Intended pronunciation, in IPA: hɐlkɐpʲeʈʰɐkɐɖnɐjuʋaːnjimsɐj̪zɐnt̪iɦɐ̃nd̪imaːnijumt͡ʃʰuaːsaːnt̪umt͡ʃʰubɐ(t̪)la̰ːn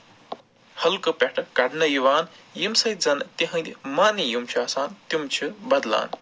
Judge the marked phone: incorrect: d̪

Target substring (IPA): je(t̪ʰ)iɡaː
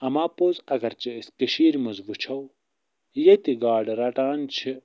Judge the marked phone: incorrect: t̪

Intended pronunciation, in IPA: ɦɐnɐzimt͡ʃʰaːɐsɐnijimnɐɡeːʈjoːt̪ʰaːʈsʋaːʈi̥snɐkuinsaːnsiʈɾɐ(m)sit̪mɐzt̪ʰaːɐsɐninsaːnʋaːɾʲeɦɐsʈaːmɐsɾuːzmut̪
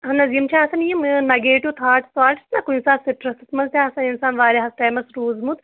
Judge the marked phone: incorrect: none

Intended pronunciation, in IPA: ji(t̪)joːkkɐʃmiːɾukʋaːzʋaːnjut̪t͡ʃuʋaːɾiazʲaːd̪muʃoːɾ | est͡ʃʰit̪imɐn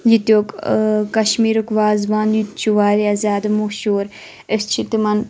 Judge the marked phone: correct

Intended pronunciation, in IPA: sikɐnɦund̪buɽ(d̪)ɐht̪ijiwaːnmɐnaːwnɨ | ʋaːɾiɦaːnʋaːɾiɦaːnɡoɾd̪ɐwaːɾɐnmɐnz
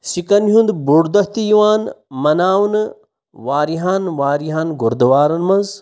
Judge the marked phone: correct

